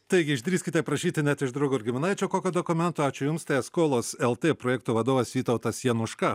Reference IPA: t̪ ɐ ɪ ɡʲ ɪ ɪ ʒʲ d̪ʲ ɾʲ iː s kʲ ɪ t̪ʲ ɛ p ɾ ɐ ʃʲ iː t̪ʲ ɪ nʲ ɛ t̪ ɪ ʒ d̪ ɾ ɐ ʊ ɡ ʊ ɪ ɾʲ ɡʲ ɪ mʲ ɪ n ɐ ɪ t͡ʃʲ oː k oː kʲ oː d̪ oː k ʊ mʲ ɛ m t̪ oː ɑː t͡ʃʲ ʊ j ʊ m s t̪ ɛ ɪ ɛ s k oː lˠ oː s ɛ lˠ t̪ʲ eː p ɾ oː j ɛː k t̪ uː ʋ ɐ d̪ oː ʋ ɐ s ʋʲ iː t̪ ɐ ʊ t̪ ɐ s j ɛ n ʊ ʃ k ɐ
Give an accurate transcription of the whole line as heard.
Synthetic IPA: t̪ ɐ ɪ ɡʲ ɪ ɪ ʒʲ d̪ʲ ɾʲ iː s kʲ ɪ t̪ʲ ɛ p ɾ ɐ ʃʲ iː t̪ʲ ɪ nʲ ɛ t̪ ɪ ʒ d̪ ɾ ɐ ʊ ɡ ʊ ɪ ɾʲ ɡʲ ɪ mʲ ɪ n ɐ ɪ t͡ʃʲ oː k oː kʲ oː d̪ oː k ʊ mʲ ɛ n t̪ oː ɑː t͡ʃʲ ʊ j ʊ m s t̪ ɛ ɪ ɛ s k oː lˠ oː s ɛ lˠ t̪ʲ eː p ɾ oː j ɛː k t̪ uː ʋ ɐ d̪ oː ʋ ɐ s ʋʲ iː t̪ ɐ ʊ t̪ ɐ s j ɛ n ʊ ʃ k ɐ